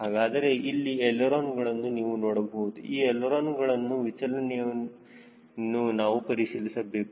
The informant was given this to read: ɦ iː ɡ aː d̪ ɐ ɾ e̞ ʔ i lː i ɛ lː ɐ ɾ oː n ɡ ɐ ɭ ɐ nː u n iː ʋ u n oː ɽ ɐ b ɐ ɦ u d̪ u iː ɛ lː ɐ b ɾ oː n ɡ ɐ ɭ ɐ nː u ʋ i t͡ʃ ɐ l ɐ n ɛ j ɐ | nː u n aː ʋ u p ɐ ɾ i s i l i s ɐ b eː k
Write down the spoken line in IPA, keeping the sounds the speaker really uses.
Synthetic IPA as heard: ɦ aː ɡ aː d̪ ɐ ɾ e̞ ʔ i lː i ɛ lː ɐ ɾ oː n ɡ ɐ ɭ ɐ nː u n iː ʋ u n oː ɽ ɐ b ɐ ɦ u d̪ u iː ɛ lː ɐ ɾ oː n ɡ ɐ ɭ ɐ nː u ʋ i t͡ʃ ɐ l ɐ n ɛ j ɐ | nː u n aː ʋ u p ɐ ɾ i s i l i s ɐ b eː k